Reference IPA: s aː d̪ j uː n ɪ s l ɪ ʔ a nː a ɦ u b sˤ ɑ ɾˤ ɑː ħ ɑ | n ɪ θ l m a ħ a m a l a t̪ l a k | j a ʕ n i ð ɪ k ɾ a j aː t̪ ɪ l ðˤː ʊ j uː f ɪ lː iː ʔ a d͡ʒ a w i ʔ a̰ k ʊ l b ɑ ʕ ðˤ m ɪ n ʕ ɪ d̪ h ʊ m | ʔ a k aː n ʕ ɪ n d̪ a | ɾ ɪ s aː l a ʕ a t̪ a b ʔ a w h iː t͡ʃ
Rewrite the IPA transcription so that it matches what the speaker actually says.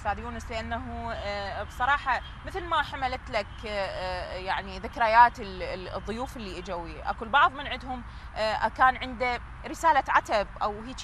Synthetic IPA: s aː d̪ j uː n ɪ s l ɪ ʔ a nː a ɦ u b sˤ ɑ ɾˤ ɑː ħ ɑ | m ɪ θ l m a ħ a m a l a t̪ l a k | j a ʕ n i ð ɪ k ɾ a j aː t̪ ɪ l ðˤː ʊ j uː f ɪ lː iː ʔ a d͡ʒ a w i ʔ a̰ k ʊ l b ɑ ʕ ðˤ m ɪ n ʕ ɪ d̪ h ʊ m | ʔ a k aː n ʕ ɪ n d̪ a | ɾ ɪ s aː l a ʕ a t̪ a b ʔ a w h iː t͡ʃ

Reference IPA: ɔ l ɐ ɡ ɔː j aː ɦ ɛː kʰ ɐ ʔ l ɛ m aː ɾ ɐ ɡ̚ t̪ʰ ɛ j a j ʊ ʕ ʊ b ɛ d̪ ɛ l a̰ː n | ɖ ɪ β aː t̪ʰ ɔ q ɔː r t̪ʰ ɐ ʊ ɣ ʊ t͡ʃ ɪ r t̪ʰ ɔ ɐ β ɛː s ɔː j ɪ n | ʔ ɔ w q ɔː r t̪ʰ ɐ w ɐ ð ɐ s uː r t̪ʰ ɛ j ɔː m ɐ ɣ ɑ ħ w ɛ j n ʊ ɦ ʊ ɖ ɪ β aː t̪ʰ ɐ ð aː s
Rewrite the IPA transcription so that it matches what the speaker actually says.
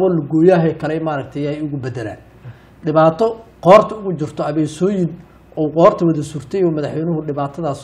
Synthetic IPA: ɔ l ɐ ɡ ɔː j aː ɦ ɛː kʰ ɐ l ɛ m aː ɾ ɐ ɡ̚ t̪ʰ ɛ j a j ʊ ɣ ʊ b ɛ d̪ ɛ l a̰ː n | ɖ ɪ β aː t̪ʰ ɔ q ɔː r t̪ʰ ɐ ʊ ɣ ʊ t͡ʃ ɪ r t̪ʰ ɔ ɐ β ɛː s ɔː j ɪ n | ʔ ɔ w q ɔː r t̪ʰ ɐ w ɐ ð ɐ s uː r t̪ʰ ɛ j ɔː m ɐ ð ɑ ħ w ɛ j n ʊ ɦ ʊ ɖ ɪ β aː t̪ʰ ɐ ð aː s

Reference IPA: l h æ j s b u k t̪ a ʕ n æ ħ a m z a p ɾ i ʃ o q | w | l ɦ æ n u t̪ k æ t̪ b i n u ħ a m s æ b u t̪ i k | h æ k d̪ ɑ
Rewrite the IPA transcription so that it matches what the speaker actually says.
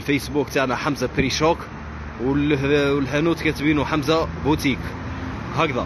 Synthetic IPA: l f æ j s b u k t̪ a ʕ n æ ħ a m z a p ɾ i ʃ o k | w | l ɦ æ n u t̪ k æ t̪ b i n u ħ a m z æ b u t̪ i k | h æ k d̪ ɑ

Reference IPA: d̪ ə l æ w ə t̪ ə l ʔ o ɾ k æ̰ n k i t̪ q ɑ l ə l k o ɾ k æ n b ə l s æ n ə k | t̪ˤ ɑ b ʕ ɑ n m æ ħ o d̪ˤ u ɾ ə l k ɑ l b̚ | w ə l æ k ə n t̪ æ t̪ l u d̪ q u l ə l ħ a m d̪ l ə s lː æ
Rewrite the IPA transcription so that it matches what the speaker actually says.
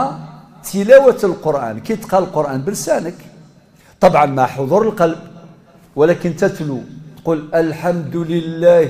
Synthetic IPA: t̪ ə l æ w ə t̪ ə l q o ɾ ʔ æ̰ n k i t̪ q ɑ l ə l q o ɾ ʔ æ n b ə l s æ n ə k | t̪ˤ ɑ b ʕ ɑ n m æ ħ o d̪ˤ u ɾ ə l q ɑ l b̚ | w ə l æ k ə n t̪ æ t̪ l u t̪ q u l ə l ħ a m d̪ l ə lː æ

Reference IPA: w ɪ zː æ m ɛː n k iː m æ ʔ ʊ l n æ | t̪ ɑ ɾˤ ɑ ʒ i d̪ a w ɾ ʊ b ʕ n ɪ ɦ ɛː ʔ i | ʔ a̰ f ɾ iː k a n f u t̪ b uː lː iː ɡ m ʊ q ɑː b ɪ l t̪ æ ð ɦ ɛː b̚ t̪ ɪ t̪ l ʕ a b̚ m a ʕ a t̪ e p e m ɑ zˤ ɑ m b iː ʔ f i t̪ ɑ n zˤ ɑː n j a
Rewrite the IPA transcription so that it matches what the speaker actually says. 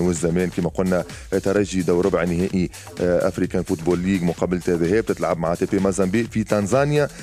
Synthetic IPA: w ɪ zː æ m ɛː n k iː m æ q ʊ l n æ | t̪ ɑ ɾˤ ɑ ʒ i d̪ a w ɾ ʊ b ʕ n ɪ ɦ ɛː ʔ i | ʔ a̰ f ɾ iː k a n f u t̪ b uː lː iː ɡ m ʊ q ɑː b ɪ l t̪ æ ð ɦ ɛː b̚ t̪ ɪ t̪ l ʕ a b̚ m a ʕ a t̪ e p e m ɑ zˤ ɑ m b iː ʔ f i t̪ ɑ n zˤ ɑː n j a

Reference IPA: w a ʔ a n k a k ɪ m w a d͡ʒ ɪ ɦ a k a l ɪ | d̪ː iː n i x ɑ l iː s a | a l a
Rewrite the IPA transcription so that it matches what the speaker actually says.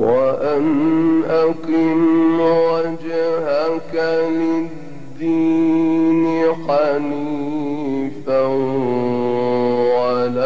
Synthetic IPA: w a ʔ a n ʔ a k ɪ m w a d͡ʒ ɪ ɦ a k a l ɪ | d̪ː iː n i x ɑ l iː f a | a l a

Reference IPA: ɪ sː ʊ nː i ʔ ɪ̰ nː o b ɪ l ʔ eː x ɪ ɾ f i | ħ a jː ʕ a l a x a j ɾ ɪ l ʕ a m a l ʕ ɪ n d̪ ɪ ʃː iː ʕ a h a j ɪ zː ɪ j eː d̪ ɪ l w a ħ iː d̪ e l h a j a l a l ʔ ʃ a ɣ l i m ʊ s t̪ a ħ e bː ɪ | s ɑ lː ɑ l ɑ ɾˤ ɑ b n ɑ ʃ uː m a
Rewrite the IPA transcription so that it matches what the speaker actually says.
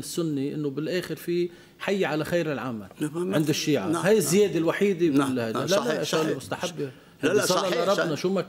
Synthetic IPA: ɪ sː ʊ nː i ʔ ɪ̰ nː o b ɪ l ʔ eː x ɪ ɾ f i | ħ a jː ʕ a l a x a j ɾ ɪ l ʕ a m a l ʕ ɪ n d̪ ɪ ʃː iː ʕ a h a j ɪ zː ɪ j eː d̪ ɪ l w a ħ iː d̪ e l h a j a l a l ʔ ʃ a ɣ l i m ʊ s t̪ a ħ a bː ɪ | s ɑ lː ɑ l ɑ ɾˤ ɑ b n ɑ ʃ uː m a

